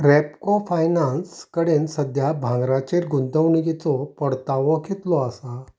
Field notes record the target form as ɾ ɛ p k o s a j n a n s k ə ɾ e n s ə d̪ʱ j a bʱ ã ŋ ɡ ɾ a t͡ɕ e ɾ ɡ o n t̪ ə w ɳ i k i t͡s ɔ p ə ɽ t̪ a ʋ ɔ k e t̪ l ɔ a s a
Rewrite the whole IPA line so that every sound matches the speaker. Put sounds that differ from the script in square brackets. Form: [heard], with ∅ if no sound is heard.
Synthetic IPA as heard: ɾ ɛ p k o [f] a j n a n s k ə [ɽ] e n s ə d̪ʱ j a bʱ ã ŋ ɡ ɾ a t͡ɕ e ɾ ɡ [u] n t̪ ə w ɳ i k i t͡s ɔ p ə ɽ t̪ a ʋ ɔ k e t̪ l ɔ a s a

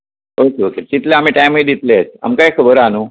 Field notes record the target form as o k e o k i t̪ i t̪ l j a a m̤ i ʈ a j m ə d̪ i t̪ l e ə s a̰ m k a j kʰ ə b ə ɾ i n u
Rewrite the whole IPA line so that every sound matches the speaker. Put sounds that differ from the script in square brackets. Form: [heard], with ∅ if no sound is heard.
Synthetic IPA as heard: o k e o k [e] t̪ i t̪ l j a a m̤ i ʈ a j m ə d̪ i t̪ l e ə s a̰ m k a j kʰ ə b ə ɾ [a] n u

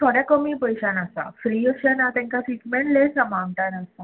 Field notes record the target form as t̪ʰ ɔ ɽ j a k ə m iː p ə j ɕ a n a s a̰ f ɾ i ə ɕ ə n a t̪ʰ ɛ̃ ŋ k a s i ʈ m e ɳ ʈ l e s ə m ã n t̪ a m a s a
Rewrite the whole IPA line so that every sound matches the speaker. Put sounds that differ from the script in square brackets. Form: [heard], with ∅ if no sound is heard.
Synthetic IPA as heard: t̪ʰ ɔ ɽ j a k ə m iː p ə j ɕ a n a s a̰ f ɾ i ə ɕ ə n a [t̪] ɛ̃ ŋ k a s i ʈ m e ɳ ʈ l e s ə m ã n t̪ a [n] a s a

